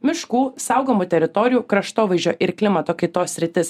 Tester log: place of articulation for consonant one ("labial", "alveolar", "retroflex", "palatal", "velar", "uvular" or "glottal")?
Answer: labial